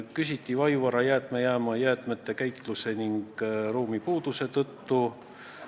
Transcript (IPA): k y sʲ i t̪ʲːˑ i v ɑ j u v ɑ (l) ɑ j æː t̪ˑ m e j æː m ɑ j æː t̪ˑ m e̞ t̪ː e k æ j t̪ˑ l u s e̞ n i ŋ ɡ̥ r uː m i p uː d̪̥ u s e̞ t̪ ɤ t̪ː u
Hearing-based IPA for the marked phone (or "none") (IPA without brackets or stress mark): ɾ